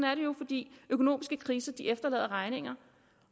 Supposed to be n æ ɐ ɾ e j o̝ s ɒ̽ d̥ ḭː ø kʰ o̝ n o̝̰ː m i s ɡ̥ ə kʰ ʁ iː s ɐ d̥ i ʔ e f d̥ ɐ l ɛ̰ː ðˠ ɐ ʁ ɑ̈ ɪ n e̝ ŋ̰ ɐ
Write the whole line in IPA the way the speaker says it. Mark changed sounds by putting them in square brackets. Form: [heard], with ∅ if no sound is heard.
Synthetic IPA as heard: n æ ɐ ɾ e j o̝ [f] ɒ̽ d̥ ḭː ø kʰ o̝ n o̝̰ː m i s ɡ̥ ə kʰ ʁ iː s ɐ d̥ i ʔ e f d̥ ɐ l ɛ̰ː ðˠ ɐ ʁ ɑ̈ ɪ n e̝ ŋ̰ ɐ